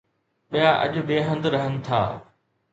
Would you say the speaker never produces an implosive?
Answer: no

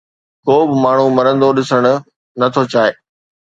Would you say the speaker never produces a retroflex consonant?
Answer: no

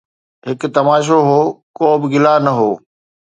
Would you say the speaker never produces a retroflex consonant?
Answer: yes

